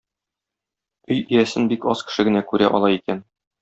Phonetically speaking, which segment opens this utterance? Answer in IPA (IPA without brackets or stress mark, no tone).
ɵ